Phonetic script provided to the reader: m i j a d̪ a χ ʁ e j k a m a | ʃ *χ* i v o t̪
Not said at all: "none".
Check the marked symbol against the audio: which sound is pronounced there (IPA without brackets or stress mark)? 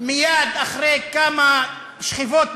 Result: χ